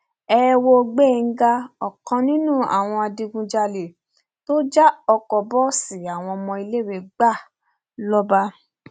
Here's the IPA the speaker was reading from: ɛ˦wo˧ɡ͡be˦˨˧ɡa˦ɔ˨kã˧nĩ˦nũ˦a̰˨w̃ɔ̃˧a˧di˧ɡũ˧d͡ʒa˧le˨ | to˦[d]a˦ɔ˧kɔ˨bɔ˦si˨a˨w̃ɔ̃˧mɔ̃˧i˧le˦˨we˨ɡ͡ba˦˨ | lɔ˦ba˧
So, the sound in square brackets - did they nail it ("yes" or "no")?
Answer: no